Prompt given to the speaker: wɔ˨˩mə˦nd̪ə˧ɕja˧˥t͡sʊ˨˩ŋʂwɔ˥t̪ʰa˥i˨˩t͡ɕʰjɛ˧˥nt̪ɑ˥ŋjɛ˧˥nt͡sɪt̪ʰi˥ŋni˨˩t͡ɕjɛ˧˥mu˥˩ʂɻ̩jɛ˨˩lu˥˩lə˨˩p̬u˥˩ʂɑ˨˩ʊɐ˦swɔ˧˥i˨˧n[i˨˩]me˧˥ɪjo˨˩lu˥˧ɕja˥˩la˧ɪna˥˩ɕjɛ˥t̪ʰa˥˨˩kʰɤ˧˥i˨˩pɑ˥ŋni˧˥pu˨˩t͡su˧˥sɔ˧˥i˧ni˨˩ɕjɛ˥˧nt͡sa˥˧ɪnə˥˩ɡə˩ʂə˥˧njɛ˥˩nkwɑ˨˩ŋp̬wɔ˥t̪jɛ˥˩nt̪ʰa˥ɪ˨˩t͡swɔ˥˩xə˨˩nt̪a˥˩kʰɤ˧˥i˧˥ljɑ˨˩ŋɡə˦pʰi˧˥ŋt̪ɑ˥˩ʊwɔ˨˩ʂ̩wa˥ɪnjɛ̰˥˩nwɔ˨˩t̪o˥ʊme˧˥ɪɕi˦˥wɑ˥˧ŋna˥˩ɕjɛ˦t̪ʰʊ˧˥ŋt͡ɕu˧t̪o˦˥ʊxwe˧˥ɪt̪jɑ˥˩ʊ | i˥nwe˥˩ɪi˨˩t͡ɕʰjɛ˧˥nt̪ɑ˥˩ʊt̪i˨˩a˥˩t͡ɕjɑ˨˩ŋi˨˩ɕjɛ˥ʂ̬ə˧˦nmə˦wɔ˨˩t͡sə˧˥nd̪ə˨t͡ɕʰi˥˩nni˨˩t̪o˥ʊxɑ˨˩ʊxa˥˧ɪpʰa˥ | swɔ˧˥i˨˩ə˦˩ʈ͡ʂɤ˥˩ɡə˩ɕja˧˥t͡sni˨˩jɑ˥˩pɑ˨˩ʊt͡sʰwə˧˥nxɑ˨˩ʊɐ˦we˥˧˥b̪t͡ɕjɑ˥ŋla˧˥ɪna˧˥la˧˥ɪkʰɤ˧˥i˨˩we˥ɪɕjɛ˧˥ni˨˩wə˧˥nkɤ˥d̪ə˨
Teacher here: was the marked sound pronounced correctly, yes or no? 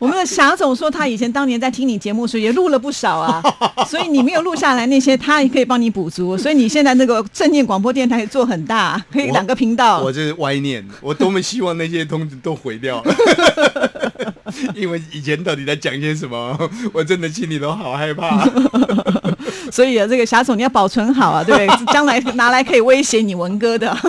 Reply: yes